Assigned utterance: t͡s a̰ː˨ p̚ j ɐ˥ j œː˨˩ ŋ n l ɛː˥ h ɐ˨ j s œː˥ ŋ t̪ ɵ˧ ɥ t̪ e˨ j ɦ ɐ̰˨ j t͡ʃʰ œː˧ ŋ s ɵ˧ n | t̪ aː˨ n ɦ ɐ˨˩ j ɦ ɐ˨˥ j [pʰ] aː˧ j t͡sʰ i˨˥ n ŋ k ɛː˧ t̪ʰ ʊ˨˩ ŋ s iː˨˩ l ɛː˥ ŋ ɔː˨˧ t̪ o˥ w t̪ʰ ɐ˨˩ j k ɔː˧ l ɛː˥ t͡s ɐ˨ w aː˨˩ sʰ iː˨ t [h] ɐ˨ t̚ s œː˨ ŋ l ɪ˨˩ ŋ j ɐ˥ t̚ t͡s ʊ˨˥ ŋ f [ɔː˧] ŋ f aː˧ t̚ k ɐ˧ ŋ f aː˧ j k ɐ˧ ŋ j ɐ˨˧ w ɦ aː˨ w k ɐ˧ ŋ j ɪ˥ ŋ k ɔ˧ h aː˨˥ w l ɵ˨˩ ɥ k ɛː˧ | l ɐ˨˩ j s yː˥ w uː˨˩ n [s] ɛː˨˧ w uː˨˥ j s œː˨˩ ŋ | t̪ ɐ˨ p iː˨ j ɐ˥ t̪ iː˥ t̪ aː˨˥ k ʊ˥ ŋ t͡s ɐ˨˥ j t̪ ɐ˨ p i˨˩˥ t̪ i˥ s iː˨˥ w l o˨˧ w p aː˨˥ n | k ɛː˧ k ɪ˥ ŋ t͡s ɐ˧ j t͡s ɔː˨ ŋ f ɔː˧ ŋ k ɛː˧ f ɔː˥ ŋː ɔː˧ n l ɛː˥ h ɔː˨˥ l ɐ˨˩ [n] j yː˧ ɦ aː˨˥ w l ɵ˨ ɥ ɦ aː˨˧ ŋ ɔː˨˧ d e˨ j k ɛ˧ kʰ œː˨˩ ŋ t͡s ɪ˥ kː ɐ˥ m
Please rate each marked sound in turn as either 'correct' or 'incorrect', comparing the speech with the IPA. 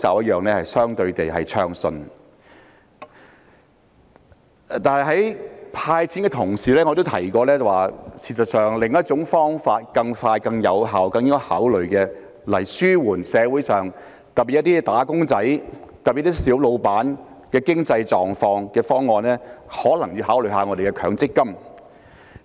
correct, incorrect: s, incorrect: ɔː˥, correct, incorrect: ŋ

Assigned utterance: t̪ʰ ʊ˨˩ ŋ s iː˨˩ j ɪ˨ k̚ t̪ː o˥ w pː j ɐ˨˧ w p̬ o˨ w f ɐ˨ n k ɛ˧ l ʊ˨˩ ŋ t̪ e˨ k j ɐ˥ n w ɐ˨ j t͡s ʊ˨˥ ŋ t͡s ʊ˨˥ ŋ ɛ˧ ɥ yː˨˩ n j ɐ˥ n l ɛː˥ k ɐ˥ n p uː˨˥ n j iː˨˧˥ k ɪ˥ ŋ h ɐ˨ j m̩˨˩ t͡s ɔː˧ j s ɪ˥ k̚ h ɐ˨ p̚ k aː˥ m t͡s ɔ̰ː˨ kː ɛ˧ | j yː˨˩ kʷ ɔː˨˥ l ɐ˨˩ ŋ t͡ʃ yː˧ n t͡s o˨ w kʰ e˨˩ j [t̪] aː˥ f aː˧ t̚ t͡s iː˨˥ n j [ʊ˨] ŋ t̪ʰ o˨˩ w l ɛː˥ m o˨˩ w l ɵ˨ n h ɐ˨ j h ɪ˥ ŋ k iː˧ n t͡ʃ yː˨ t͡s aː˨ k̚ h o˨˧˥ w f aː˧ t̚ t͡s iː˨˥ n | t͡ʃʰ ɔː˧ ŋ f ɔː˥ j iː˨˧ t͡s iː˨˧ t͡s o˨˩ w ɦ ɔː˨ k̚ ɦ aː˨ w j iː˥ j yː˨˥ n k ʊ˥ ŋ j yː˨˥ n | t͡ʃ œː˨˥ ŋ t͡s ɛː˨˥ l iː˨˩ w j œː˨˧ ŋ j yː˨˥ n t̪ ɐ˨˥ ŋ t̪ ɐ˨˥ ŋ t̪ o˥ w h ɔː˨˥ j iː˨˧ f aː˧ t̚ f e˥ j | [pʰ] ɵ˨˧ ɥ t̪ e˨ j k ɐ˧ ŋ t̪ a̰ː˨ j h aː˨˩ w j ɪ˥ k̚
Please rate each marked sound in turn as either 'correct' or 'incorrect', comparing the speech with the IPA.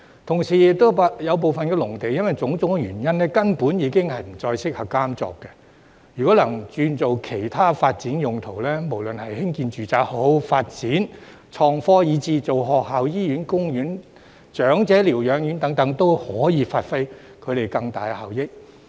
incorrect: t̪ʰ, correct, incorrect: kʰ

